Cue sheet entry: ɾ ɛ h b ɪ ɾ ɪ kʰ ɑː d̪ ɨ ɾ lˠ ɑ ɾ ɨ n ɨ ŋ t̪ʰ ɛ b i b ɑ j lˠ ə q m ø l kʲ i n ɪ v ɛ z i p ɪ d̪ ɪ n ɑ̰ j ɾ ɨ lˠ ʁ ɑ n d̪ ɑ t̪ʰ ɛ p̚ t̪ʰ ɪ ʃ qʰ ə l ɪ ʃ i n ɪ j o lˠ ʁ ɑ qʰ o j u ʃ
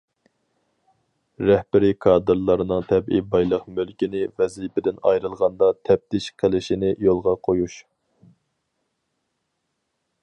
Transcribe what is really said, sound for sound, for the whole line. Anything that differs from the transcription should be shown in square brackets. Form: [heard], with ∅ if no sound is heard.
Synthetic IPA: ɾ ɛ h b ɪ ɾ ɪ kʰ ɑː d̪ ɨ ɾ lˠ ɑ ɾ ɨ n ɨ ŋ t̪ʰ ɛ b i b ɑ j lˠ ə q m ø l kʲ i n ɪ v ɛ z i p ɪ d̪ ɪ n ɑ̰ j ɾ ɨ lˠ ʁ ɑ n d̪ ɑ t̪ʰ ɛ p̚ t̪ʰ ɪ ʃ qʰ ə l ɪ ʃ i n ɪ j o lˠ ʁ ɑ qʰ o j u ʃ